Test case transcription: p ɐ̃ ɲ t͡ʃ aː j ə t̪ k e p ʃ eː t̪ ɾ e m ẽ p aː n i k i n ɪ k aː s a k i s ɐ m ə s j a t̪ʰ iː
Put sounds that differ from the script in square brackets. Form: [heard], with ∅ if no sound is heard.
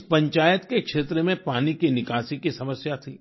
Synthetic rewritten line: p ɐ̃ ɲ t͡ʃ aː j ə t̪ k e [k] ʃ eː t̪ ɾ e m ẽ p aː n i k i n ɪ k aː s [i] k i s ɐ m ə s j a t̪ʰ iː